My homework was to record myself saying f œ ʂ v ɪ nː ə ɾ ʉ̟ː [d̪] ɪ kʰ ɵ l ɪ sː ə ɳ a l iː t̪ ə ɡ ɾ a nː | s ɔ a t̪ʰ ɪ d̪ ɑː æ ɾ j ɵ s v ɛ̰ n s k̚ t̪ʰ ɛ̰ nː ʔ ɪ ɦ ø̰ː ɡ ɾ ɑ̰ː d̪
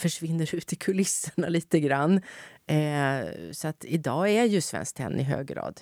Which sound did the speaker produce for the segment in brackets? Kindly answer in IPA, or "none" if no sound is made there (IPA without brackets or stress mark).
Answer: t̪